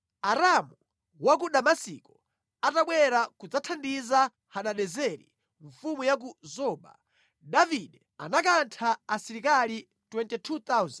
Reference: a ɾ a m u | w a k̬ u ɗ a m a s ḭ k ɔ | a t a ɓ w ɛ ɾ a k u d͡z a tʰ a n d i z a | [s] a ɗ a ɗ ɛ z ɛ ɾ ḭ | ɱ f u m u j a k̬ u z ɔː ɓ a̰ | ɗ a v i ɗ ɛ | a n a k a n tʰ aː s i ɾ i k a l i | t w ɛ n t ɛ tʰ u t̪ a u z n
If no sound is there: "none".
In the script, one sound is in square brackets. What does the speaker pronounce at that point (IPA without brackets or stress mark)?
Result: h